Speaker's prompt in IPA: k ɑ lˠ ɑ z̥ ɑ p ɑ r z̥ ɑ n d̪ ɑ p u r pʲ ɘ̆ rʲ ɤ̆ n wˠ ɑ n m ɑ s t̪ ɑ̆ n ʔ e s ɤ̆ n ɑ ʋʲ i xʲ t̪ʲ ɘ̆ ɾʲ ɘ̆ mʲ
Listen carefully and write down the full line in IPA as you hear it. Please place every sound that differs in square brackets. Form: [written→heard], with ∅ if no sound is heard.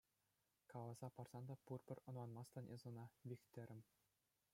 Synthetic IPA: k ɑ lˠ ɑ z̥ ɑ p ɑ r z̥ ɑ n d̪ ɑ p u r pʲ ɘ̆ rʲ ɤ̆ n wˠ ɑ n m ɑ s t̪ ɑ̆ n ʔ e [s→z] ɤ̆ n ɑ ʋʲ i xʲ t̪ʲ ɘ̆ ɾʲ ɘ̆ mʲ